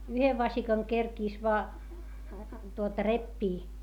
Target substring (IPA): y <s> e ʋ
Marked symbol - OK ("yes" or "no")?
no